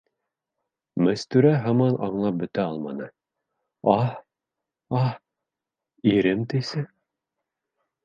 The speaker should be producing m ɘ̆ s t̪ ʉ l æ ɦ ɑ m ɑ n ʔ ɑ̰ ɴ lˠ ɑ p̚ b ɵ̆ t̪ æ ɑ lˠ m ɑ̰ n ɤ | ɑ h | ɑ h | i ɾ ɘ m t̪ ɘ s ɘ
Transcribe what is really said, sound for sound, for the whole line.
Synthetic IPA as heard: m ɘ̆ s t̪ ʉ ɾ æ ɦ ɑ m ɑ n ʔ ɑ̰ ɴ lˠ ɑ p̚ b ɵ̆ t̪ æ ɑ lˠ m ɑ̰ n ɤ | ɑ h | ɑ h | i ɾ ɘ m t̪ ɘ s ɘ